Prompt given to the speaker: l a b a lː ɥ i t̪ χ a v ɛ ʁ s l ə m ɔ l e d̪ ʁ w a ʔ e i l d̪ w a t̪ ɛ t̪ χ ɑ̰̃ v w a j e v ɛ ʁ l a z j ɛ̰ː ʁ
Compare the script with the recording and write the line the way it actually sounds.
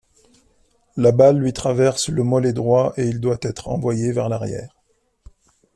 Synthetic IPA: l a b a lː ɥ i t̪ χ a v ɛ ʁ s l ə m ɔ l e d̪ ʁ w a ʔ e i l d̪ w a t̪ ɛ t̪ χ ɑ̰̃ v w a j e v ɛ ʁ l a ʁ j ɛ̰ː ʁ